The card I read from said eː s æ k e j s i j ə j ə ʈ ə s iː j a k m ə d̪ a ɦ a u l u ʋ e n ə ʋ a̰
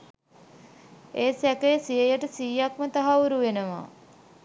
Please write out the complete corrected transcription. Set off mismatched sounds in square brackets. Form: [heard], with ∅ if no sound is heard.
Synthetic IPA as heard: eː s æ k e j s i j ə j ə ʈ ə s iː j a k m ə [t̪] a ɦ a u [ɾ] u ʋ e n ə ʋ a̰

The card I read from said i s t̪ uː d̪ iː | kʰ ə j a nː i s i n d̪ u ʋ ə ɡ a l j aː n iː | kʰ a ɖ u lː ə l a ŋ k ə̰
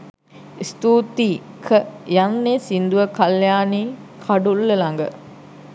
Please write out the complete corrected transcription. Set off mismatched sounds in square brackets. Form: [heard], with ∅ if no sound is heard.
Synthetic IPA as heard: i s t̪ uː [t̪] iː | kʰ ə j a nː [e] s i n d̪ u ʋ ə [k] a l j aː n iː | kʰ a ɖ u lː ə l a ŋ [ɡ] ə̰

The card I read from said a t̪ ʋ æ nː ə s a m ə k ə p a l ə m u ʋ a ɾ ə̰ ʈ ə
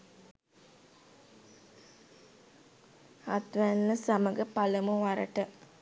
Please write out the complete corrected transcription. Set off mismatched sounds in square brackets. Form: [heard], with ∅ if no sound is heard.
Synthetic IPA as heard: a t̪ ʋ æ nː ə s a m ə [ɡ] ə p a l ə m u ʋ a ɾ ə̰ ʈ ə

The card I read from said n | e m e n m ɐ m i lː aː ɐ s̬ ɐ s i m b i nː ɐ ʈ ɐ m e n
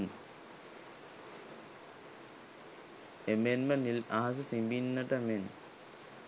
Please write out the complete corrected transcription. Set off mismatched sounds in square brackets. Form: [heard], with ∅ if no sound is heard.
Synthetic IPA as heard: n | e m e n m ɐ [n] i [l] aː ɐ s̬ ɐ s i m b i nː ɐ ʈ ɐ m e n

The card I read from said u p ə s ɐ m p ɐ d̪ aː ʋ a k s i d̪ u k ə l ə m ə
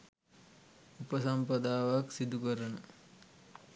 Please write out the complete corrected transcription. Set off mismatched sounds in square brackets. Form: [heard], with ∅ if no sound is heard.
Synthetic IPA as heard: u p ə s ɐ m p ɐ d̪ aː ʋ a k s i d̪ u k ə [ɾ] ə [n] ə

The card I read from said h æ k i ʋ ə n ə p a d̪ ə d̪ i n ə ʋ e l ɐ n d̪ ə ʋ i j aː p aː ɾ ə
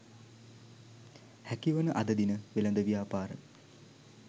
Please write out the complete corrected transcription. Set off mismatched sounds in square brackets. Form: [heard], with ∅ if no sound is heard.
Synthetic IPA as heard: h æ k i ʋ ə n ə [ʔ] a d̪ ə d̪ i n ə ʋ e l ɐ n d̪ ə ʋ i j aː p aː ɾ ə

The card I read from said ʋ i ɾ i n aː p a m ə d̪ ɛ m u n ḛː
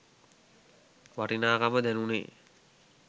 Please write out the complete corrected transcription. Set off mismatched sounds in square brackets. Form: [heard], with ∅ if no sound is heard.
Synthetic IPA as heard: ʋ [a] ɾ i n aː [k] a m ə d̪ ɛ [n] u n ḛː

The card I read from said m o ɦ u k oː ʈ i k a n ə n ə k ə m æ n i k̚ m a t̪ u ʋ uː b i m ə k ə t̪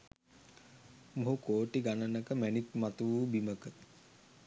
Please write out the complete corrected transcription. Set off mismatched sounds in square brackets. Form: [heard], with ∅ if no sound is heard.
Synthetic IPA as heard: m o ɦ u k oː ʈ i [ɡ] a n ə n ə k ə m æ n i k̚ m a t̪ u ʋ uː b i m ə k ə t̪

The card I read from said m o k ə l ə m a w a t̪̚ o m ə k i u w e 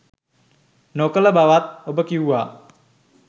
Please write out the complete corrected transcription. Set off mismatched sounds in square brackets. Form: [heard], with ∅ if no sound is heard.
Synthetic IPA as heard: [n] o k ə l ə [b] a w a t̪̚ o [b] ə k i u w [a]

